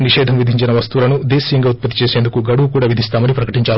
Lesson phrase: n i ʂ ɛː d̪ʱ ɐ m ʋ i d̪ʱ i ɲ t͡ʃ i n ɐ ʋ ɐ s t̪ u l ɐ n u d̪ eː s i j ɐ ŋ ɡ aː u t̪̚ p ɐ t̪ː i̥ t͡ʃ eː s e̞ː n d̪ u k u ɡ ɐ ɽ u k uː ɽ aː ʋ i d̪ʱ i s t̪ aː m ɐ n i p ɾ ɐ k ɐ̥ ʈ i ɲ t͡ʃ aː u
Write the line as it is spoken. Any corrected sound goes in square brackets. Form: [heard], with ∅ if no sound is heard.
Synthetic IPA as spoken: n i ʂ ɛː d̪ʱ ɐ m ʋ i d̪ʱ i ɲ t͡ʃ i n ɐ ʋ ɐ s t̪ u l ɐ n u d̪ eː s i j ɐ ŋ ɡ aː u t̪̚ p ɐ t̪ː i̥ t͡ʃ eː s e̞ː n d̪ u k u ɡ ɐ ɽ u k uː ɽ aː ʋ i d̪ʱ i s t̪ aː m ɐ n i p ɾ ɐ k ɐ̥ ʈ i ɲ t͡ʃ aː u